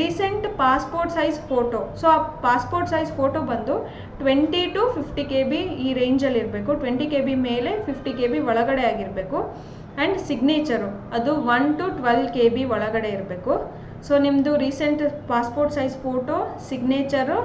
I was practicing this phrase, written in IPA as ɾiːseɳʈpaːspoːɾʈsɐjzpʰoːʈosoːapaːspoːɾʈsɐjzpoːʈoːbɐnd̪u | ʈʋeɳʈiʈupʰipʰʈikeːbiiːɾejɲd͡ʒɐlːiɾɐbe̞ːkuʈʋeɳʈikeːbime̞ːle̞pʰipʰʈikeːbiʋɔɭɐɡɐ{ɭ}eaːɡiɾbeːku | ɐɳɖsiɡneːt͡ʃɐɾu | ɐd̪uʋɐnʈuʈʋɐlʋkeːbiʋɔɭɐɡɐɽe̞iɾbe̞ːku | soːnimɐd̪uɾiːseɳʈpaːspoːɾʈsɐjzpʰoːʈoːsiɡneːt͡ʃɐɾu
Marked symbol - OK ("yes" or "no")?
no